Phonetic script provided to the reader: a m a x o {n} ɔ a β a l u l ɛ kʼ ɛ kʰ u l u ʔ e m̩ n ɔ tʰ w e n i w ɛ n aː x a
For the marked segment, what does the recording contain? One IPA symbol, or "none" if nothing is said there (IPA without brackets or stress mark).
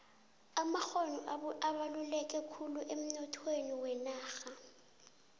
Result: n